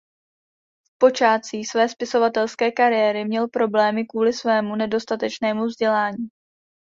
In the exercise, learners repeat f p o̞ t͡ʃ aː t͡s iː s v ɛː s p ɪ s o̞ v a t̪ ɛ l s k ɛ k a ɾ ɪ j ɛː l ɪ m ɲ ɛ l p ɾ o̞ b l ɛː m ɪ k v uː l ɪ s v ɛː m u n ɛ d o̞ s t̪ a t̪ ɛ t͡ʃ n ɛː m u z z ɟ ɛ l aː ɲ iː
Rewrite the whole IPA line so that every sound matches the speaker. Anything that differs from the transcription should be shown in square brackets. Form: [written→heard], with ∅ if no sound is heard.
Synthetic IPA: f p o̞ t͡ʃ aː t͡s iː s v ɛː s p ɪ s o̞ v a t̪ ɛ l s k [ɛ→ɛː] k a ɾ ɪ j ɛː [l→ɾ] ɪ m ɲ ɛ l p ɾ o̞ b l ɛː m ɪ k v uː l ɪ s v ɛː m u n ɛ d o̞ s t̪ a t̪ ɛ t͡ʃ n ɛː m u [z→v] z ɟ ɛ l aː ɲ iː